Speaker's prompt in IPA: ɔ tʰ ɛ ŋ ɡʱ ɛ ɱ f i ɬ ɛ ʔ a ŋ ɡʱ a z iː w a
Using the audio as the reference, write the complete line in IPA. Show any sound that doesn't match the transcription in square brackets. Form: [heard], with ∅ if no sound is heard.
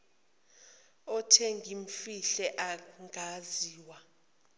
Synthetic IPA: ɔ tʰ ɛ ŋ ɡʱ [i] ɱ f i ɬ ɛ ʔ a ŋ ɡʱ a z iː w a